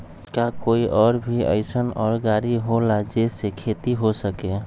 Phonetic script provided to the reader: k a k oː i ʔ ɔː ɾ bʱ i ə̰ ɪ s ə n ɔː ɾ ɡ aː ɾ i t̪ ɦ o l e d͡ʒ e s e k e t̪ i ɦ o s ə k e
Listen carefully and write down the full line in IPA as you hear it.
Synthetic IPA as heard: k a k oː i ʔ ɔː ɾ bʱ i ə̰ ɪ s ə n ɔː ɾ ɡ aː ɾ i ɦ o l a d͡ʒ e s e kʰ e t̪ i ɦ o s ə k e